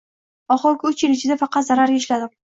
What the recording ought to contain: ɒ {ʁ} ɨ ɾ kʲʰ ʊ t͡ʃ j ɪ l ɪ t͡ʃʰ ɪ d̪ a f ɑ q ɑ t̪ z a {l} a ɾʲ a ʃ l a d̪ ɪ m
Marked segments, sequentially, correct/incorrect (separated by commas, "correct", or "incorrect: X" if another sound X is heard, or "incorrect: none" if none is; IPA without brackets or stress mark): incorrect: χ, incorrect: ɾ